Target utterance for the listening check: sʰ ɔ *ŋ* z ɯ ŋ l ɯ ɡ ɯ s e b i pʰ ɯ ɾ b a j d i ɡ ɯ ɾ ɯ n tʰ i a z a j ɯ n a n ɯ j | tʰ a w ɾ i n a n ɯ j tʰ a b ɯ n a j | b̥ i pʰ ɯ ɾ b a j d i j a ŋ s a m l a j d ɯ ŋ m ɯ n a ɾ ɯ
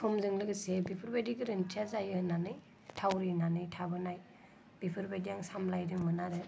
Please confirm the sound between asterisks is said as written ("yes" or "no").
no